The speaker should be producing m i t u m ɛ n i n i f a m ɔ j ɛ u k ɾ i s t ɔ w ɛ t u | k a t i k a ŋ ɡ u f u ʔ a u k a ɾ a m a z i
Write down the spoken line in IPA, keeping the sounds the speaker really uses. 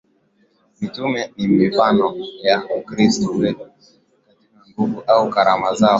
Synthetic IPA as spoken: m i t u m ɛ n i m i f a n ɔ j a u k ɾ i s t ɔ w ɛ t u | k a t i k a ŋ ɡ u v u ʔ a u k a ɾ a m a z a